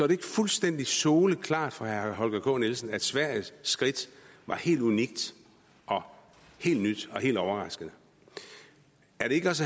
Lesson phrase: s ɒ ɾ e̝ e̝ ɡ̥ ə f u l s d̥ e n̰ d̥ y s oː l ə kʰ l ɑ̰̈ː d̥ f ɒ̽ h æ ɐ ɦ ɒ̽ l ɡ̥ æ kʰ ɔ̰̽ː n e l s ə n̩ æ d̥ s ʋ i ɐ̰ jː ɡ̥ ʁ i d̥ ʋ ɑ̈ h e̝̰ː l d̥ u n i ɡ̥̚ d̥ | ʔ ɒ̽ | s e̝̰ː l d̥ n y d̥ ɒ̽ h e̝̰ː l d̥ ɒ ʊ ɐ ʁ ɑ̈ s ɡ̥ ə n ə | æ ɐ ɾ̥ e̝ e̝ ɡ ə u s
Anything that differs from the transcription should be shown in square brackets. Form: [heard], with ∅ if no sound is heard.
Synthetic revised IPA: s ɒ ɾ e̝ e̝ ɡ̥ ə f u l s d̥ e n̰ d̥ [i] s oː l ə kʰ l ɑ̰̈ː d̥ f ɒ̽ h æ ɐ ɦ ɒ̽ l ɡ̥ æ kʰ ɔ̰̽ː n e l s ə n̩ æ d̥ s ʋ [æ] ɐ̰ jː ɡ̥ ʁ i d̥ ʋ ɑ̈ h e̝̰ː l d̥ u n i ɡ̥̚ d̥ | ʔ ɒ̽ | [h] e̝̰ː l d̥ n y d̥ ɒ̽ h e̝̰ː l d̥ ɒ ʊ ɐ ʁ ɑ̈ s ɡ̥ ə n ə | æ ɐ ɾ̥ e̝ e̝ ɡ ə [ɒ] s